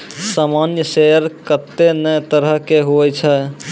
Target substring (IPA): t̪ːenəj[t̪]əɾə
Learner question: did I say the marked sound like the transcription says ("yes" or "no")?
yes